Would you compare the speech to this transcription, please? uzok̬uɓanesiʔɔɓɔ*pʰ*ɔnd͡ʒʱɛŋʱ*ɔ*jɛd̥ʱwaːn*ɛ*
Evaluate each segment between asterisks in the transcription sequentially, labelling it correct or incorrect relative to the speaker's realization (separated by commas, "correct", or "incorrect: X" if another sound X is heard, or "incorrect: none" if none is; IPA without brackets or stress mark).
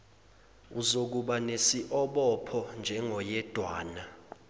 correct, correct, incorrect: a